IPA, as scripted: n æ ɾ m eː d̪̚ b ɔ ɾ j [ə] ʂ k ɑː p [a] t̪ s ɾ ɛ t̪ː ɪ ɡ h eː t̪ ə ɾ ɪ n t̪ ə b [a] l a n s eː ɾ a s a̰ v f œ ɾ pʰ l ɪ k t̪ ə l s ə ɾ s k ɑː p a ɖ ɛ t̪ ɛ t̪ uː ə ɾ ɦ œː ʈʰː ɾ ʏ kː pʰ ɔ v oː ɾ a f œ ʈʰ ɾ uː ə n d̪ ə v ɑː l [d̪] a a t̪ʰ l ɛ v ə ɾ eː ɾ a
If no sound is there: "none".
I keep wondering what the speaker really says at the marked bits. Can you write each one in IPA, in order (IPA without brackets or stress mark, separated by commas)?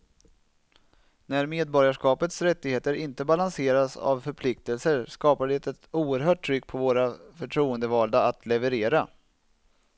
a, ə, a, d̪